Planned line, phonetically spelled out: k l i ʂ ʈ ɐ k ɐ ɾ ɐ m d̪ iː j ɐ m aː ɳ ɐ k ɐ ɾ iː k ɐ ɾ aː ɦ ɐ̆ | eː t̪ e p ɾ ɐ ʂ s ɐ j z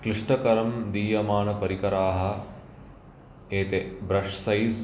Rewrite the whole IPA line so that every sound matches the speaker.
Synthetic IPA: k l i ʂ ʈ ɐ k ɐ ɾ ɐ m d̪ iː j ɐ m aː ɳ ɐ p ɐ ɾ i k ɐ ɾ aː ɦ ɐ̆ | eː t̪ e b ɾ ɐ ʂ s ɐ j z